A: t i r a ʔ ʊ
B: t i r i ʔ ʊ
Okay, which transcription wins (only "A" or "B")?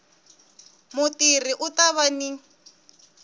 B